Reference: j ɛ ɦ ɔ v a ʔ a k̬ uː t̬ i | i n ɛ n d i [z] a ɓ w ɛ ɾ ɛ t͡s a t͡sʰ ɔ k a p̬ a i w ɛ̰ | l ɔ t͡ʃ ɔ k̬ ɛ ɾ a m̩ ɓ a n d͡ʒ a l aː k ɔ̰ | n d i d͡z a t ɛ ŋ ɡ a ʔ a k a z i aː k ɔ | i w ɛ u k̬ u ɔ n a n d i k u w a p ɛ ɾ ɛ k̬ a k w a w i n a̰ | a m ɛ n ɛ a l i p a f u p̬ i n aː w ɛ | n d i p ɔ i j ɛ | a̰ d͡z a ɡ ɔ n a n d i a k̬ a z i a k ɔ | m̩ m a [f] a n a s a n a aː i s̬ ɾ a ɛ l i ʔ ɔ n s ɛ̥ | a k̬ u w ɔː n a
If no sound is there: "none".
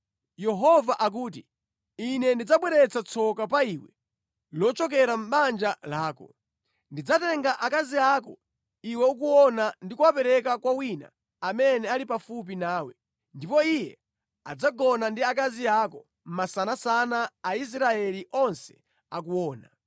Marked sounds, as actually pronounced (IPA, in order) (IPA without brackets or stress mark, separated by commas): d͡z, s